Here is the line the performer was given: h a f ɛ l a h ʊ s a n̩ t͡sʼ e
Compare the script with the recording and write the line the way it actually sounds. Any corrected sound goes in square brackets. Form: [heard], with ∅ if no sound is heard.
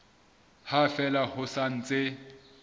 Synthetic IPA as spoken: h a f ɛ l a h ʊ s a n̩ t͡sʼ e